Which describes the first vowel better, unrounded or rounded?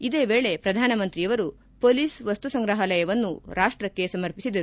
unrounded